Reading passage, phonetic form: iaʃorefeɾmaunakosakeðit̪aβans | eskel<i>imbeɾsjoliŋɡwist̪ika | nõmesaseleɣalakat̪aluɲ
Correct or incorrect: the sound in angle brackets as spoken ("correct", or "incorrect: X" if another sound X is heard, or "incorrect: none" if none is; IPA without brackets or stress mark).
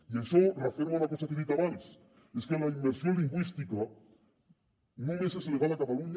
incorrect: a